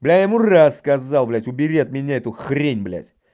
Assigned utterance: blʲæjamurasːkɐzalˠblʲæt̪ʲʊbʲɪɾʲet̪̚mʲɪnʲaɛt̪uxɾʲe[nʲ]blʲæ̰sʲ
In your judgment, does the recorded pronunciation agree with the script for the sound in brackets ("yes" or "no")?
yes